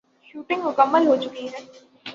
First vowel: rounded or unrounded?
rounded